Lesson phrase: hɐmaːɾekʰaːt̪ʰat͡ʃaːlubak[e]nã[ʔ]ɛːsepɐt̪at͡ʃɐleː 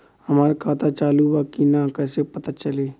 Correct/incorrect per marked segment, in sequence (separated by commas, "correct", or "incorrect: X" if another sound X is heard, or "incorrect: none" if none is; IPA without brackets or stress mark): incorrect: i, incorrect: k